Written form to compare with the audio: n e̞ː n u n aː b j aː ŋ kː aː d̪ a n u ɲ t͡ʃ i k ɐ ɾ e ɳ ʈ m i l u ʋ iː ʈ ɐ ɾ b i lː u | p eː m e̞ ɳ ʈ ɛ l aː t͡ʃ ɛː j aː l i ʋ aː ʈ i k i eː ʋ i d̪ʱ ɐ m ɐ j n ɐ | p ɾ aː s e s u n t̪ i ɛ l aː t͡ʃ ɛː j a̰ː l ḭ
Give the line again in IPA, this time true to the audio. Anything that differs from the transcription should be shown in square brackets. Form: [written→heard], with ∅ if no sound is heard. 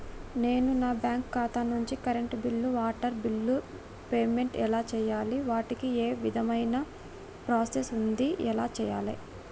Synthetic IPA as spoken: n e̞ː n u n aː b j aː ŋ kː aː [d̪→t̪] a n u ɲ t͡ʃ i k ɐ ɾ e ɳ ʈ [m→b] i [l→lː] u ʋ [iː→aː] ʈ ɐ ɾ b i lː u | p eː m e̞ ɳ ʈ ɛ l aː t͡ʃ ɛː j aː l i ʋ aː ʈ i k i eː ʋ i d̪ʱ ɐ m ɐ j n ɐ | p ɾ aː s e s u n [t̪→d̪] i ɛ l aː t͡ʃ ɛː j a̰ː l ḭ